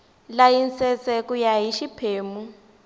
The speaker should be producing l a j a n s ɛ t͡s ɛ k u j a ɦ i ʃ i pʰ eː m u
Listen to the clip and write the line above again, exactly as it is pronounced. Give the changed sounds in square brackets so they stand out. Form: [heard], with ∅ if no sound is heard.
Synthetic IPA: l a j [i] n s ɛ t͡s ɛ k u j a ɦ i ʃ i pʰ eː m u